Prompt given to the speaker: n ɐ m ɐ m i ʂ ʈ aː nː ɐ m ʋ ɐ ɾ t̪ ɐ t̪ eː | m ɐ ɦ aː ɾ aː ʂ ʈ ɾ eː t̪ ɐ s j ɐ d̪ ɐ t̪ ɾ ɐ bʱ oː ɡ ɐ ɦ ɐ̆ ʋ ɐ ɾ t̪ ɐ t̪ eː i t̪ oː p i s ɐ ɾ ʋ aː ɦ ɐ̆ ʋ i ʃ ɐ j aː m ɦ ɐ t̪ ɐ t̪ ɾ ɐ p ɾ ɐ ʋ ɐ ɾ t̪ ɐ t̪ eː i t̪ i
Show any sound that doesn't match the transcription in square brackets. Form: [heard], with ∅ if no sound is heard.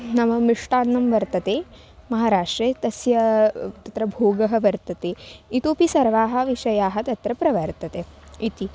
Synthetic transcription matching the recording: n ɐ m ɐ m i ʂ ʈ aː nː ɐ m ʋ ɐ ɾ t̪ ɐ t̪ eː | m ɐ ɦ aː ɾ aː ʂ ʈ ɾ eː t̪ ɐ s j ɐ [t̪] ɐ t̪ ɾ ɐ bʱ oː ɡ ɐ ɦ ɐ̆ ʋ ɐ ɾ t̪ ɐ t̪ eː i t̪ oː p i s ɐ ɾ ʋ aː ɦ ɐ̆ ʋ i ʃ ɐ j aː [∅] ɦ ɐ t̪ ɐ t̪ ɾ ɐ p ɾ ɐ ʋ ɐ ɾ t̪ ɐ t̪ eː i t̪ i